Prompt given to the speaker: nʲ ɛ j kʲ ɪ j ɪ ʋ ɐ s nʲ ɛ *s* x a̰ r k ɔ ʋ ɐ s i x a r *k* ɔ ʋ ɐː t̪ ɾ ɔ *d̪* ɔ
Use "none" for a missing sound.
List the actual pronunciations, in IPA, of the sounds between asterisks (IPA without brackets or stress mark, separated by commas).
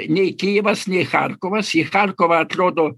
none, k, d̪